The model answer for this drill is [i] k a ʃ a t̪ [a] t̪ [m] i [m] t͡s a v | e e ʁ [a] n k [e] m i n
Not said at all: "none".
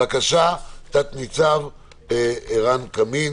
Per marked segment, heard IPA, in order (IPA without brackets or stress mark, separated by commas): a, a, n, none, a, a